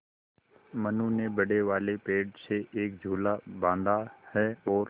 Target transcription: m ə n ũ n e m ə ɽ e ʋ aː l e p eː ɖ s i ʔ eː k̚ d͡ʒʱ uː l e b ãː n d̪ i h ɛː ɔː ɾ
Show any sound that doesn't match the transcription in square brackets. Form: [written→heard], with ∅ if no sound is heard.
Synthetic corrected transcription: m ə n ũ n e [m→b] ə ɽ e ʋ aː l e p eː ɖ s [i→e] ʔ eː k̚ d͡ʒʱ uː l [e→a] b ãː n d̪ [i→a] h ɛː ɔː ɾ